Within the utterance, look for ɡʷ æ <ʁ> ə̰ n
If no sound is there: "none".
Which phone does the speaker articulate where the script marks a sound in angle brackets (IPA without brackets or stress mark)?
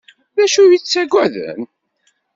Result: ð